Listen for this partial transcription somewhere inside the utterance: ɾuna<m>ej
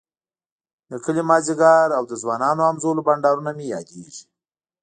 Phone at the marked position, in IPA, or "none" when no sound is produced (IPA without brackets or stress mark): m